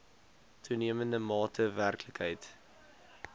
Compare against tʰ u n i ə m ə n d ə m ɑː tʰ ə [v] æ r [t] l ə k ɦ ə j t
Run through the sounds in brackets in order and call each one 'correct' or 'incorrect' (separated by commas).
correct, incorrect